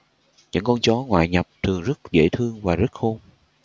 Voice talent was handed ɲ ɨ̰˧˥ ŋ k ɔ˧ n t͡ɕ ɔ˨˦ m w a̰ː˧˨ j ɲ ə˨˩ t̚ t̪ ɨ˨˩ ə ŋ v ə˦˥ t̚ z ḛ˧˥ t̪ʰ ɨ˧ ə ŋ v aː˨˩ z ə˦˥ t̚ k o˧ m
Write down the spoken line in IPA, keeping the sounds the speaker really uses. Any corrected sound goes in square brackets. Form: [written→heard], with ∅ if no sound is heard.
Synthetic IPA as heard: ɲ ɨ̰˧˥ ŋ k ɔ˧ n t͡ɕ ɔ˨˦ [m→ŋ] w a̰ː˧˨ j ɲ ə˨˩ [t̚→p̚] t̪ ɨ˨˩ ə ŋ [v→z] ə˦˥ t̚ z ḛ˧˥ t̪ʰ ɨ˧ ə ŋ v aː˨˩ z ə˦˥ t̚ [k→x] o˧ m